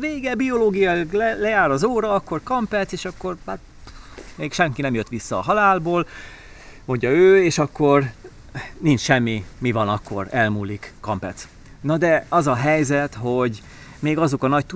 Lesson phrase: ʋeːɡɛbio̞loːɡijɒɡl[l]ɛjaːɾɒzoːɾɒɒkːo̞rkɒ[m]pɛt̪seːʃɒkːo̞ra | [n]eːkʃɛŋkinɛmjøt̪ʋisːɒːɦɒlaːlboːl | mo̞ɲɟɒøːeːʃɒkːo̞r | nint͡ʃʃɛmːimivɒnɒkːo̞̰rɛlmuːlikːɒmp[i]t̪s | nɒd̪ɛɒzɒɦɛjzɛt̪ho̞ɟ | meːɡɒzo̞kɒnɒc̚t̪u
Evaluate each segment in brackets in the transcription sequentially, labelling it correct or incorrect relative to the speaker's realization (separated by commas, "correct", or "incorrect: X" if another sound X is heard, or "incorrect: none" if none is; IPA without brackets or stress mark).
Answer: correct, correct, incorrect: m, incorrect: ɛ